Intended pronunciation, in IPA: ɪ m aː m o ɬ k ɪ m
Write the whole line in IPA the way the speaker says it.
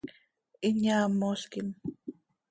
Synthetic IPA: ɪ ɲ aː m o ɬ k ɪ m